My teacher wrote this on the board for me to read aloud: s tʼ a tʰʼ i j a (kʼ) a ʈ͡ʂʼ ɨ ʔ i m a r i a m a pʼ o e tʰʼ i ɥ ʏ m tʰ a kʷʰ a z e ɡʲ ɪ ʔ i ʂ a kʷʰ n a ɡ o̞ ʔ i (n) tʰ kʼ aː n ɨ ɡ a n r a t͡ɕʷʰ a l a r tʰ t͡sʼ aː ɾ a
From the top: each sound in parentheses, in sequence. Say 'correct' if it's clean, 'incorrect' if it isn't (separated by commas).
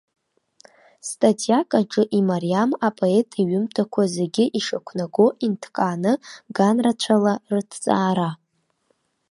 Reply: correct, correct